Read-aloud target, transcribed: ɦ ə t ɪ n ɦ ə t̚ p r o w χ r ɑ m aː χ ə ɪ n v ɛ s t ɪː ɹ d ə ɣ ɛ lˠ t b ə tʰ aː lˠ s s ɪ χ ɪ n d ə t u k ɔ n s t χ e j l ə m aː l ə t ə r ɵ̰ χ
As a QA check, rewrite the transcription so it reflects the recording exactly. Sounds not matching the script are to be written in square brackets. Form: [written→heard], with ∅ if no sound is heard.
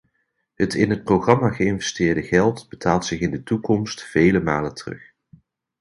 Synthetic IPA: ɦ ə t ɪ n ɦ ə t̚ p r o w χ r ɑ m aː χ ə ɪ n v ɛ s t ɪː ɹ d ə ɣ ɛ lˠ t b ə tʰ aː lˠ [s→t] s ɪ χ ɪ n d ə t u k ɔ [n→m] s t [χ→f] e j l ə m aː l ə t ə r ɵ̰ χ

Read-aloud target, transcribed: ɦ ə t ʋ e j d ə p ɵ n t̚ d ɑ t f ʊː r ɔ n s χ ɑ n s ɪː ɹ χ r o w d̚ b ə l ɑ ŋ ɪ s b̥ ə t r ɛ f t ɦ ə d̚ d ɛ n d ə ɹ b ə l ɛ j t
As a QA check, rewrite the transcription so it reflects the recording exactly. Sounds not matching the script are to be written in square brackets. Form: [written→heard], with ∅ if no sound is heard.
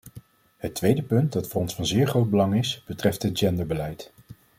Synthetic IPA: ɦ ə t ʋ e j d ə p ɵ n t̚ d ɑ t f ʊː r ɔ n s [χ→f] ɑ n [s→z] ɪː ɹ χ r o w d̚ b ə l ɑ ŋ ɪ s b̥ ə t r ɛ f t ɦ ə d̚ [d→d͡ʒ] ɛ n d ə ɹ b ə l ɛ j t

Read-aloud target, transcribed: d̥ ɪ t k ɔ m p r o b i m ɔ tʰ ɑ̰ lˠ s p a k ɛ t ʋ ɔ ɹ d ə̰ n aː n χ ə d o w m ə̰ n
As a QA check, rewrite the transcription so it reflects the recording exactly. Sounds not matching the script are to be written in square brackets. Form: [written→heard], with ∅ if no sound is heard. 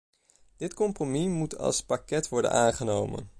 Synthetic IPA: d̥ ɪ t k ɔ m p r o [b→m] i m [ɔ→u] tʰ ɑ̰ lˠ s p a k ɛ t ʋ ɔ ɹ d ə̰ n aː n χ ə [d→n] o w m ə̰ n

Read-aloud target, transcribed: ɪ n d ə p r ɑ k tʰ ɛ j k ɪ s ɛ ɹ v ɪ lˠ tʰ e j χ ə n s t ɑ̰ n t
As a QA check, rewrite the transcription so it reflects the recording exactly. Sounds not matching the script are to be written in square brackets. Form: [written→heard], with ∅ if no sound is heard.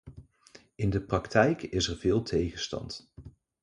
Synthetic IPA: ɪ n d ə p r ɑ k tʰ ɛ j k ɪ s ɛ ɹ v [ɪ→ɪː] lˠ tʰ e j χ ə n s t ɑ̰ n t

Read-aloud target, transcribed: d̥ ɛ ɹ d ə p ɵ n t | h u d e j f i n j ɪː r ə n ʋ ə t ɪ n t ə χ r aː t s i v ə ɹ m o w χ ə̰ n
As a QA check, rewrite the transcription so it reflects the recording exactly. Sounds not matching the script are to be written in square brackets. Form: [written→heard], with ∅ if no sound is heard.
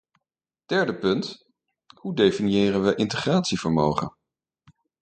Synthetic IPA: d̥ ɛ ɹ d ə p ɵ n t | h u d e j f i n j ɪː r ə n ʋ ə [t→ʔ] ɪ n t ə χ r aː t s i v ə ɹ m o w χ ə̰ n

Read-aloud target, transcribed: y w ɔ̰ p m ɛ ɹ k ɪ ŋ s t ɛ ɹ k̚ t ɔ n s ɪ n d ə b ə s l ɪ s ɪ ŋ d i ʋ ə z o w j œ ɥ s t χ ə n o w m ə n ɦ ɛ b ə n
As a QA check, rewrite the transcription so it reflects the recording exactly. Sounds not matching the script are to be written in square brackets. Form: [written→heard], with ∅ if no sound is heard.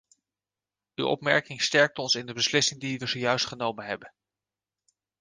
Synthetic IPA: y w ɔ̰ p m ɛ ɹ k ɪ ŋ s t ɛ ɹ k̚ t ɔ n s ɪ n d ə b ə s l ɪ s ɪ ŋ d i ʋ ə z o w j œ ɥ s t χ ə n o w m ə n ɦ ɛ b ə n

